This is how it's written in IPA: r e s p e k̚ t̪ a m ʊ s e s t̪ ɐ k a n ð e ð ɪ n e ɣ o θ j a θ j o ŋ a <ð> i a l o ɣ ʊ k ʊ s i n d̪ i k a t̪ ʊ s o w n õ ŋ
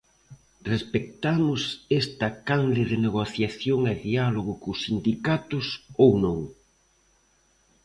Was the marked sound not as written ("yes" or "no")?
no